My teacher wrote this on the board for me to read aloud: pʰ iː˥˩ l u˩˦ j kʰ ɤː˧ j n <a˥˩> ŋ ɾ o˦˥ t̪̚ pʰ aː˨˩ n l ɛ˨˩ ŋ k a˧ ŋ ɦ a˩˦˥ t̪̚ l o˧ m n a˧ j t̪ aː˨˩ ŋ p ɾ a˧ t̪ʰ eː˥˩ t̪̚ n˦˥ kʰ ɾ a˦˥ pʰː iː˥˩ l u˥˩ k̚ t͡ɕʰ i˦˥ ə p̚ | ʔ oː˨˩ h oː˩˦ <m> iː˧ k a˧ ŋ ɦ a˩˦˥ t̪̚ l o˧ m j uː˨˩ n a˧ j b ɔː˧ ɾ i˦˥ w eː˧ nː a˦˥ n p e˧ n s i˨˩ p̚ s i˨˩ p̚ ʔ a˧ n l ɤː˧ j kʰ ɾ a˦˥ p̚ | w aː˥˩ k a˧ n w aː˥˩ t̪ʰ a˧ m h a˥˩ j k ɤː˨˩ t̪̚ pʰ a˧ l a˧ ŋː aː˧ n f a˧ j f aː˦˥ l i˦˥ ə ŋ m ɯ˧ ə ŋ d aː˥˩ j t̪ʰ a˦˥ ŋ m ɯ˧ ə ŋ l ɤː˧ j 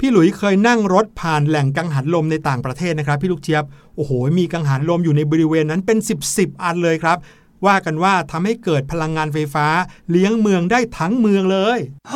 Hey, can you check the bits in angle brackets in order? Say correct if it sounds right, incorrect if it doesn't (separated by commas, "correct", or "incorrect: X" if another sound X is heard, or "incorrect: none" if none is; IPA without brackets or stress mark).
correct, correct